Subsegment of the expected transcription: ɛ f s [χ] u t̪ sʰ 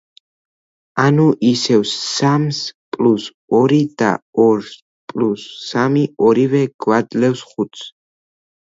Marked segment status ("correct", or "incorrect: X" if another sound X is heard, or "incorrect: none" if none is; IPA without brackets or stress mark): correct